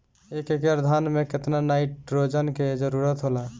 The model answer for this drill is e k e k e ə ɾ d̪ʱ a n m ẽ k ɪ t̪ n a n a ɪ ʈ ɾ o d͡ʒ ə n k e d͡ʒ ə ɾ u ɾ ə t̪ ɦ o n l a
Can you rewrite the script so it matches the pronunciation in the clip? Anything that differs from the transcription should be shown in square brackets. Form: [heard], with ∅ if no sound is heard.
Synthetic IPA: e k e k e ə ɾ d̪ʱ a n m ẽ k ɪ t̪ n a n a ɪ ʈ ɾ o d͡ʒ ə n k e d͡ʒ ə ɾ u ɾ ə t̪ ɦ o [∅] l a